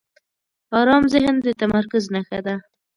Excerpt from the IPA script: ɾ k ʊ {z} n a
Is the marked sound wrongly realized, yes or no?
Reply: no